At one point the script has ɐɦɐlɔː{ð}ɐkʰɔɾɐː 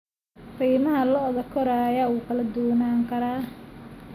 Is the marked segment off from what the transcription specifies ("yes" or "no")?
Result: no